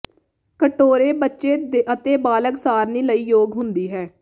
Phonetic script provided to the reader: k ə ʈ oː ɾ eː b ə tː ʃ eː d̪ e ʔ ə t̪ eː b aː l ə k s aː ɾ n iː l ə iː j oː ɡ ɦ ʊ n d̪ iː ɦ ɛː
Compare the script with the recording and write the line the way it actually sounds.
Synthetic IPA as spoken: k ə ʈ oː ɾ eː b ə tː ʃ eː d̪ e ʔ ə t̪ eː b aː l ə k s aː ɾ n iː l ə iː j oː ɡ ɦ ʊ n d̪ iː ɦ ɛː